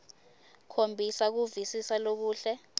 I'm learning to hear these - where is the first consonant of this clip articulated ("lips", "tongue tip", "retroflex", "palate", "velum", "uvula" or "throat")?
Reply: velum